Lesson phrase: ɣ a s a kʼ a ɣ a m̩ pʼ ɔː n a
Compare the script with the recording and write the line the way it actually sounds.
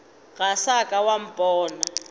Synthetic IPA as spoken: ɣ a s a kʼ a w a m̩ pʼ ɔː n a